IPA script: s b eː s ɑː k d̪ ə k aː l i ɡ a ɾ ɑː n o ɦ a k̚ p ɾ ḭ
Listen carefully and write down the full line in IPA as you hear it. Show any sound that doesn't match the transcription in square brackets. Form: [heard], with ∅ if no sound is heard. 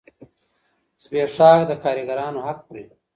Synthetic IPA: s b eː [ʂ] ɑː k d̪ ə k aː [ɾ] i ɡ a ɾ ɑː n o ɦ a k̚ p ɾ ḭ